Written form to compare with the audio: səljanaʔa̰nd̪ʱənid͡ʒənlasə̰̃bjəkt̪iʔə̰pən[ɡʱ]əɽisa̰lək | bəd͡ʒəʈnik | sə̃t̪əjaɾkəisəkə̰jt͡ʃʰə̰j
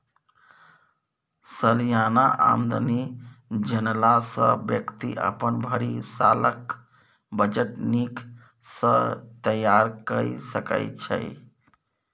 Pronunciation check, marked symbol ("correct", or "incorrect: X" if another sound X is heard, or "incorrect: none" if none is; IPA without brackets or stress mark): incorrect: bʱ